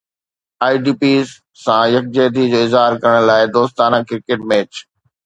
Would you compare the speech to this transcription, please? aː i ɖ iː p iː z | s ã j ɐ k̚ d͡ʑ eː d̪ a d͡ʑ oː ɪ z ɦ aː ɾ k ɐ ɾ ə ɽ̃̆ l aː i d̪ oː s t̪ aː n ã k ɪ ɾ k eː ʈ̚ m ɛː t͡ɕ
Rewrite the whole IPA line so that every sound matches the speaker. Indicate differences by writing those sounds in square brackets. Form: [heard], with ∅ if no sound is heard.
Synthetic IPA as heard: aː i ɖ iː p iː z | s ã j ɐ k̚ d͡ʑ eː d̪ [i] d͡ʑ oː ɪ z ɦ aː ɾ k ɐ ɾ ə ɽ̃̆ l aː [ɪ] d̪ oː s t̪ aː n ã k ɪ ɾ k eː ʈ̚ m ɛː t͡ɕ